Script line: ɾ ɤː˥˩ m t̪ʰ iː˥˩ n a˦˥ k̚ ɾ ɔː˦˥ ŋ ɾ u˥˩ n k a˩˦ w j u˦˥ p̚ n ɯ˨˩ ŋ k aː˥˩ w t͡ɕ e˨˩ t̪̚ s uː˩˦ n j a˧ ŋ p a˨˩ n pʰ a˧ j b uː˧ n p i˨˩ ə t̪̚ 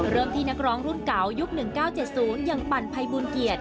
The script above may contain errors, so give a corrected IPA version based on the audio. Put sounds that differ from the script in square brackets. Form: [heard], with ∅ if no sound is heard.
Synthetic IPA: ɾ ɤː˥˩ m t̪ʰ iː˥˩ n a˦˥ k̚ ɾ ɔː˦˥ ŋ ɾ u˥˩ n k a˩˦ w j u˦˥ [k̚] n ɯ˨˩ ŋ k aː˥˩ w t͡ɕ e˨˩ t̪̚ s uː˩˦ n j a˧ ŋ p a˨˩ n pʰ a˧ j b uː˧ n [k] i˨˩ ə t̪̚